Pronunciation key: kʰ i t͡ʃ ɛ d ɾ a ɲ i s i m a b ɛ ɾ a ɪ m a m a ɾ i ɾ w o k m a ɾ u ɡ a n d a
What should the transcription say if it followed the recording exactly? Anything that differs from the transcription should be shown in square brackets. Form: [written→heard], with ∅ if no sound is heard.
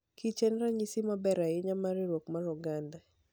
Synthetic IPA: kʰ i t͡ʃ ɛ [d→n] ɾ a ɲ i s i m a b ɛ ɾ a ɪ [m→ɲ] a m a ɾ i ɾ w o k m a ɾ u ɡ a n d a

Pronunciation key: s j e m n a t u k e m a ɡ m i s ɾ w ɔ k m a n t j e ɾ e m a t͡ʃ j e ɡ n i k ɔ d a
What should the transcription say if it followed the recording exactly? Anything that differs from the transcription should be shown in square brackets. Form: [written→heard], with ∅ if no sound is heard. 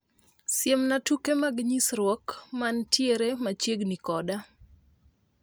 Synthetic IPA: s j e m n a t u k e m a ɡ [m→ɲ] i s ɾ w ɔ k m a n t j e ɾ e m a t͡ʃ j e ɡ n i k ɔ d a

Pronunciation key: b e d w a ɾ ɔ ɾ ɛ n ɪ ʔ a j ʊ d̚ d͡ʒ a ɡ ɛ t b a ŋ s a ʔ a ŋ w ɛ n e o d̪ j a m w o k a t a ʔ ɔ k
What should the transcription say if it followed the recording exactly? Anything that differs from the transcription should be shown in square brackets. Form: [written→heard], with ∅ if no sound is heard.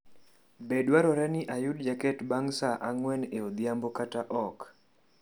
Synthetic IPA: b e d w a ɾ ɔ ɾ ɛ n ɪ ʔ a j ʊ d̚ d͡ʒ a [ɡ→k] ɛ t b a ŋ s a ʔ a ŋ w ɛ n e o d̪ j a m [w→b] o k a t a ʔ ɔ k

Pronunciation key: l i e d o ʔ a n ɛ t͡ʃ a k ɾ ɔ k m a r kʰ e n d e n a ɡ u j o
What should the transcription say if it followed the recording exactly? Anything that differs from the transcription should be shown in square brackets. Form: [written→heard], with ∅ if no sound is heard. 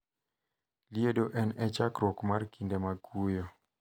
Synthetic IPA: l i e d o ʔ [a→ɛ] n ɛ t͡ʃ a k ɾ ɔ k m a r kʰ [e→i] n d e [n→m] a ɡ u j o

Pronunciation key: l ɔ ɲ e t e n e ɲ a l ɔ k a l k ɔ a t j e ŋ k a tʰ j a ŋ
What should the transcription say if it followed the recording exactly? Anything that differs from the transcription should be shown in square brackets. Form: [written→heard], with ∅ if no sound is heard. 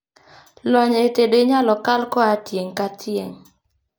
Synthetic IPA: l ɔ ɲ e t e [n→d] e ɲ a l ɔ k a l k ɔ a t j e ŋ k a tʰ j [a→e] ŋ

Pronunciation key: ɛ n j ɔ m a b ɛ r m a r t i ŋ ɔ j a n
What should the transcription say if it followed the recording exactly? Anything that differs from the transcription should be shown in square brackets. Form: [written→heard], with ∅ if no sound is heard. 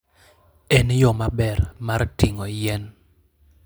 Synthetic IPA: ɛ n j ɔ m a b ɛ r m a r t i ŋ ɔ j [a→ɛ] n

